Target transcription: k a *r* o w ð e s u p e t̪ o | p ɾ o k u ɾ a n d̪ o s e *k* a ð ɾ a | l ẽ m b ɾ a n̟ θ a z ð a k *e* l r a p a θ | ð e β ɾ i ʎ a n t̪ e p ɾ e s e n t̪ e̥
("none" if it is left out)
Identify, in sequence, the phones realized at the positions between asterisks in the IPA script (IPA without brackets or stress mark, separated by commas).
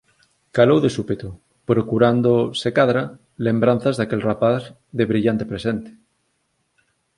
l, k, e